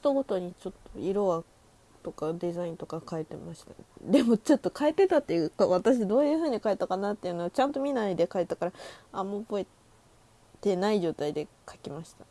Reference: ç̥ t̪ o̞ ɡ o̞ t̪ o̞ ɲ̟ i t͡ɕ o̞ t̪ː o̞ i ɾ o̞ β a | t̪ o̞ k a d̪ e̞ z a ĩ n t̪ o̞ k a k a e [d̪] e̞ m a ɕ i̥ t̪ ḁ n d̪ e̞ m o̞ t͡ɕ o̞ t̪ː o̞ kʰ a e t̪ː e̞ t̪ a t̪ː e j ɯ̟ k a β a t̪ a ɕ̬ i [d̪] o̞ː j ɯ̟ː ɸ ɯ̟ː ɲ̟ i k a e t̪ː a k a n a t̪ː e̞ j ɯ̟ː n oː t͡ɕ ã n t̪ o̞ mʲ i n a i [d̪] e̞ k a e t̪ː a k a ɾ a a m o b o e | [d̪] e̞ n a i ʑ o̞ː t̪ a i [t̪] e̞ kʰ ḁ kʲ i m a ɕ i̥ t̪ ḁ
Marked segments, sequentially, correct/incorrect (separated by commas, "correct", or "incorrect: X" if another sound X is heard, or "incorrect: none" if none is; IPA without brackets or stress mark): incorrect: t̪, correct, correct, incorrect: t̪, incorrect: d̪